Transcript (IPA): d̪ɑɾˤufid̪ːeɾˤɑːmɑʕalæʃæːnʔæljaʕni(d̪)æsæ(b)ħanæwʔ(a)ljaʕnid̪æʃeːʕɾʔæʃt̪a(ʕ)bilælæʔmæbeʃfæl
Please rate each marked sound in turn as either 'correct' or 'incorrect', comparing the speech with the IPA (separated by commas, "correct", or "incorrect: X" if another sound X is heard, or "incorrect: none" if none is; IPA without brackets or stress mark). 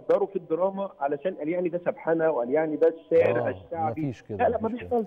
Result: correct, correct, incorrect: æ, correct